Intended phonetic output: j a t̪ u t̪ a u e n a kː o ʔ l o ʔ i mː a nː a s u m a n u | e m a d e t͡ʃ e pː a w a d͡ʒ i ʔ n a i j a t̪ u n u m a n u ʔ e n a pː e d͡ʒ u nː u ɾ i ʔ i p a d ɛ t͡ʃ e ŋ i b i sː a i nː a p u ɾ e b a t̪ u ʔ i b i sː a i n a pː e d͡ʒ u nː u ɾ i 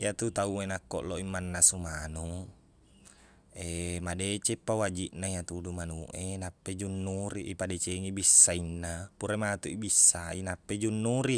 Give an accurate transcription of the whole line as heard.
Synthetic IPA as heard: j a t̪ u t̪ a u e n a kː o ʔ l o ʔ i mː a nː a s u m a n u | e m a d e t͡ʃ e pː a w a d͡ʒ i ʔ n a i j a t̪ u d u m a n u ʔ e n a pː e d͡ʒ u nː u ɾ i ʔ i p a d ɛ t͡ʃ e ŋ i b i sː a i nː a p u ɾ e m a t̪ u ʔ i b i sː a i n a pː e d͡ʒ u nː u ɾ i